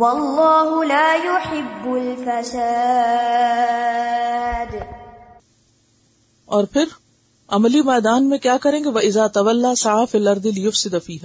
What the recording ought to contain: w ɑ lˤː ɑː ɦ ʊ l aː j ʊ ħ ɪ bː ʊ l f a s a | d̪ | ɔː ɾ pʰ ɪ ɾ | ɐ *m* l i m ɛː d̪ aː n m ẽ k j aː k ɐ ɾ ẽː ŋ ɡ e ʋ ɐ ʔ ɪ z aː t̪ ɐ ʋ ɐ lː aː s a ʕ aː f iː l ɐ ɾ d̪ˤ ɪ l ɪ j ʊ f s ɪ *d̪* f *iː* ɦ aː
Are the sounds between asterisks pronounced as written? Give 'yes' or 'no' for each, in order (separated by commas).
yes, yes, yes